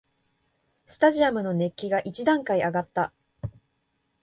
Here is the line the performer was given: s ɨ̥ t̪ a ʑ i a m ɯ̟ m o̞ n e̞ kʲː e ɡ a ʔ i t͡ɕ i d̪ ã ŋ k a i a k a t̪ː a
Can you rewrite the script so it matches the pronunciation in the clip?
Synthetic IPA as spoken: s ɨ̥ t̪ a ʑ i a m ɯ̟ n o̞ n e̞ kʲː i ɡ a ʔ i t͡ɕ i d̪ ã ŋ k a i a ɡ a t̪ː a